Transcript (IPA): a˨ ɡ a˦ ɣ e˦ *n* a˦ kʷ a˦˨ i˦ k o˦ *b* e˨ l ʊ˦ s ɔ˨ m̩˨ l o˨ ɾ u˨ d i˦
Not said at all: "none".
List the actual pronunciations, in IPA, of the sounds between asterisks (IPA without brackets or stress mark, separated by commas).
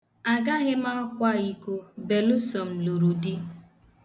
m, b